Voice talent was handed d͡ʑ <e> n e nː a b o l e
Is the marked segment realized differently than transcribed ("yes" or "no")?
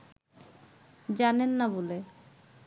yes